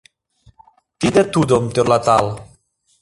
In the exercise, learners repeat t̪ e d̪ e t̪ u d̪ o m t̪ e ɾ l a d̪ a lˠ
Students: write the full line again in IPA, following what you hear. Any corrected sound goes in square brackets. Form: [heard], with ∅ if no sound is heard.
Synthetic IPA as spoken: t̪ [i] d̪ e t̪ u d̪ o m t̪ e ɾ l a [t̪] a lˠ